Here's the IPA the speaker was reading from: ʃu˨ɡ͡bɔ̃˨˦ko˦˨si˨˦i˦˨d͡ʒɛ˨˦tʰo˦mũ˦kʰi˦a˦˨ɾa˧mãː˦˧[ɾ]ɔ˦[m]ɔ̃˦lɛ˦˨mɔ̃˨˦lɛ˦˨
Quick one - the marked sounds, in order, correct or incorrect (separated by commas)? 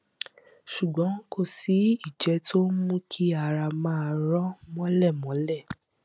correct, correct